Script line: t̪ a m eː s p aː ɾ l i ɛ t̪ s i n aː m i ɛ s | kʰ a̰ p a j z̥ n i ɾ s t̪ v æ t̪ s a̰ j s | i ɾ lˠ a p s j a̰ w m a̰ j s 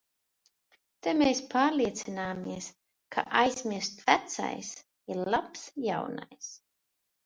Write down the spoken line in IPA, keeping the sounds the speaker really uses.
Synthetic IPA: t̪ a m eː s p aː ɾ l i ɛ t̪ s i n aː m i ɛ s | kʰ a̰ ʔ a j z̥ m i ɾ s t̪ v æ t̪ s a̰ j s | i ɾ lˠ a p s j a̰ w n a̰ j s